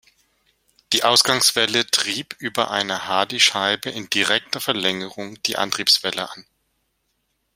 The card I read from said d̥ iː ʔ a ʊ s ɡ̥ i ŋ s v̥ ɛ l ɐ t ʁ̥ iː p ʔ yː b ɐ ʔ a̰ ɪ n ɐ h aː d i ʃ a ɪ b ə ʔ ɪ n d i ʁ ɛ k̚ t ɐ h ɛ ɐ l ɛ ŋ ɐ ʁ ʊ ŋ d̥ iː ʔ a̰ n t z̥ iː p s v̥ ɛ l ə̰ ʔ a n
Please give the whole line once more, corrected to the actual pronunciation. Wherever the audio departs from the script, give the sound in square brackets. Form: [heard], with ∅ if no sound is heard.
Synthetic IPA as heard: d̥ iː ʔ a ʊ s ɡ̥ [a] ŋ s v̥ ɛ l [ə] t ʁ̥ iː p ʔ yː b ɐ ʔ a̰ ɪ n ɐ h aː d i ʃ a ɪ b ə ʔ ɪ n d i ʁ ɛ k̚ t ɐ [f] ɛ ɐ l ɛ ŋ [ə] ʁ ʊ ŋ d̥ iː ʔ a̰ n t [ʁ̥] iː p s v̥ ɛ l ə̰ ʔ a n